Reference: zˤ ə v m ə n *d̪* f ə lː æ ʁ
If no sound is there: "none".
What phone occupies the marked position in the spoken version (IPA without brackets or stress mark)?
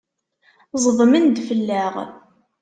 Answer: d̪